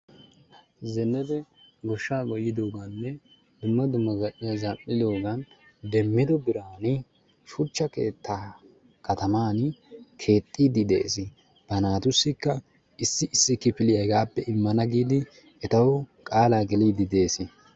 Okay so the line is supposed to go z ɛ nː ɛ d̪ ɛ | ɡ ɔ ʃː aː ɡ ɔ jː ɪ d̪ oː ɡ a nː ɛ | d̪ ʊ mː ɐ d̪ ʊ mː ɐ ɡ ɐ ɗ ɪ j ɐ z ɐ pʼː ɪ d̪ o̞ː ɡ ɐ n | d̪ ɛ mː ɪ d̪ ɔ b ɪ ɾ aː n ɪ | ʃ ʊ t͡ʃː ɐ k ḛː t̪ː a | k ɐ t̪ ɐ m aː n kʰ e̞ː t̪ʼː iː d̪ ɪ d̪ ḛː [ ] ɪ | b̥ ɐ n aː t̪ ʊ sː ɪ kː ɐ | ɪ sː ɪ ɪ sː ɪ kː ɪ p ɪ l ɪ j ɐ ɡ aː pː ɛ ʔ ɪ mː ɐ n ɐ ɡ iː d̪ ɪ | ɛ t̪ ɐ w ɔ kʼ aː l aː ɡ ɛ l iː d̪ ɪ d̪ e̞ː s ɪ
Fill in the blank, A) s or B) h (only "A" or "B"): A